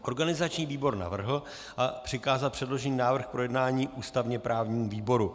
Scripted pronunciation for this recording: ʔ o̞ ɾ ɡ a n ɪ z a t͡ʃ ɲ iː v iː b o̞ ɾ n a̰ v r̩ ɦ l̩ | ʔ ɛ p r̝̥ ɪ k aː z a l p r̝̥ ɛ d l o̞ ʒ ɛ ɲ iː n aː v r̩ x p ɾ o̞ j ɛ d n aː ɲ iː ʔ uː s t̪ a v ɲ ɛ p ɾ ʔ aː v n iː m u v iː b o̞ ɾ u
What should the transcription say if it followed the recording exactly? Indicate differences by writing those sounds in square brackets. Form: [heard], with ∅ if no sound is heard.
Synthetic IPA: ʔ o̞ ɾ ɡ a n ɪ z a t͡ʃ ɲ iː v iː b o̞ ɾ n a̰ v r̩ ɦ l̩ | ʔ [a] p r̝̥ ɪ k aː z a l p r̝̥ ɛ d l o̞ ʒ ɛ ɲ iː n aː v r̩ x p ɾ o̞ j ɛ d n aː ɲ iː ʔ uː s t̪ a v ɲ ɛ p ɾ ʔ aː v [ɲ] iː m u v iː b o̞ ɾ u